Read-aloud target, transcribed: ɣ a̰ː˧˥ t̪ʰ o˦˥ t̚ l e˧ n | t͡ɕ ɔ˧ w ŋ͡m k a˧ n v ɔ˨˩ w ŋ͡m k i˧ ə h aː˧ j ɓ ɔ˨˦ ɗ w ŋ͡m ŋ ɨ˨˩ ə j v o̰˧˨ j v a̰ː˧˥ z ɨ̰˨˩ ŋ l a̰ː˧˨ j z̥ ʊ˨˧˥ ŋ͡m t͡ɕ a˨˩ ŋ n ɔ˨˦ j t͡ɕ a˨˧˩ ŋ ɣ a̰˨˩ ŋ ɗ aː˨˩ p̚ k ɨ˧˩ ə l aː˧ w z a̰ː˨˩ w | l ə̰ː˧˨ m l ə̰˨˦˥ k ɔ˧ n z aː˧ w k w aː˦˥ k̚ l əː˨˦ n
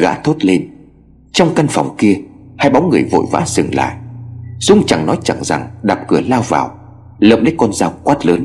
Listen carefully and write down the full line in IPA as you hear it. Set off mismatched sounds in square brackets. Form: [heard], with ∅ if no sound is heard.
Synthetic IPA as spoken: ɣ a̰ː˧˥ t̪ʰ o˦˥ t̚ l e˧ n | t͡ɕ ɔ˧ w ŋ͡m k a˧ n [f] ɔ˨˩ w ŋ͡m k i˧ ə h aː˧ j ɓ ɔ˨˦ [∅] w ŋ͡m ŋ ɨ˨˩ ə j v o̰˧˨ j v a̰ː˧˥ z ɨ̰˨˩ ŋ l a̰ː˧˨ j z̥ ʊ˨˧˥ ŋ͡m t͡ɕ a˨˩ ŋ n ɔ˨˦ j t͡ɕ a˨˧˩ ŋ [z] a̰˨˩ ŋ ɗ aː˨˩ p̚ k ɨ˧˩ ə l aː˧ w [v] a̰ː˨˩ w | l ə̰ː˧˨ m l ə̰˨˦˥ k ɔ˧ n z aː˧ w k w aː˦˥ [t̚] l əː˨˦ n